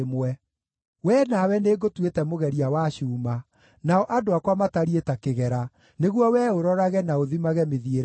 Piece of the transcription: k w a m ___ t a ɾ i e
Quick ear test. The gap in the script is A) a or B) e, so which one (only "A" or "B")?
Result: A